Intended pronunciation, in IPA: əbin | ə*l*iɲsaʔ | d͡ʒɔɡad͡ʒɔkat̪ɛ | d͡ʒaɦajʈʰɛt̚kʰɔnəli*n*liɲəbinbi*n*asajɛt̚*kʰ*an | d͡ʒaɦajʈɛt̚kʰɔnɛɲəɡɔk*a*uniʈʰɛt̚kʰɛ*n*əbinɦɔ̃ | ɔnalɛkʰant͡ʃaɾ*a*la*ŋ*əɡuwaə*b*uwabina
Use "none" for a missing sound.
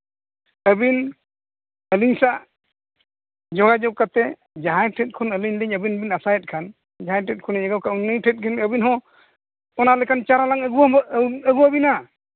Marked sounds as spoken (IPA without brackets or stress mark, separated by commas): l, ɲ, n, kʰ, a, n, a, ŋ, ɡ